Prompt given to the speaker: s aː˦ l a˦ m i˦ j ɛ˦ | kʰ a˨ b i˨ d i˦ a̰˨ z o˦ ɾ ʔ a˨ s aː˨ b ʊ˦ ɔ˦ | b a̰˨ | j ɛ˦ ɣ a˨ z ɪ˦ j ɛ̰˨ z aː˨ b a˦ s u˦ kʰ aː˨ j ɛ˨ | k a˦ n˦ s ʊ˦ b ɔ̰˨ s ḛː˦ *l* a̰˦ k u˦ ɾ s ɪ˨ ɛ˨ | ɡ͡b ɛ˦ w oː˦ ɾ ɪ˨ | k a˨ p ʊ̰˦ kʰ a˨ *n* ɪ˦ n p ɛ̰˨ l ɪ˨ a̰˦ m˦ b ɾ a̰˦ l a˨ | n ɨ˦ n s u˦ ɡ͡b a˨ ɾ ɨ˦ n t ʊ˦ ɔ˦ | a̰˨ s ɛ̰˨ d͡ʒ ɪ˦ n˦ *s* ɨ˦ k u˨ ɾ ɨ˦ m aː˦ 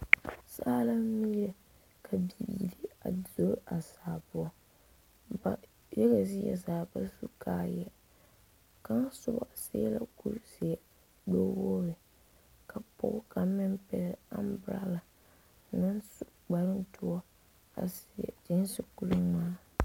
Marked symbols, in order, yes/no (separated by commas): yes, no, yes